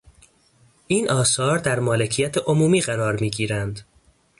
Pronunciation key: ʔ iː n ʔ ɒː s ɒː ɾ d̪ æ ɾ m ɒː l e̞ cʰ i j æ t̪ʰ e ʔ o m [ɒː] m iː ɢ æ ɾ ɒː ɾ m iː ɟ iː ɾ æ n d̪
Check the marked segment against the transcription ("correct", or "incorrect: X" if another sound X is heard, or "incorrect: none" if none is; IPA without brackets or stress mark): incorrect: uː